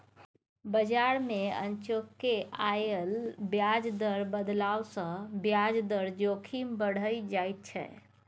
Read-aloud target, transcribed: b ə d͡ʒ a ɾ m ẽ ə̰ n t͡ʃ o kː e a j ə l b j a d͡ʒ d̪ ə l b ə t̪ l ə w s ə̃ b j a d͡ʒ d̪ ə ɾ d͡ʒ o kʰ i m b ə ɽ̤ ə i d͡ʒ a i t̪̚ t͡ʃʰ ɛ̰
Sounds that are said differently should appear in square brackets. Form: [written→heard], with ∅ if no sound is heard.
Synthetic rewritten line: b ə d͡ʒ a ɾ m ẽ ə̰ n t͡ʃ o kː e a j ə l b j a d͡ʒ d̪ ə [l→ɾ] b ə [t̪→d̪] l [ə→a] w s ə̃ b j a d͡ʒ d̪ ə ɾ d͡ʒ o kʰ i m b ə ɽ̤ ə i d͡ʒ a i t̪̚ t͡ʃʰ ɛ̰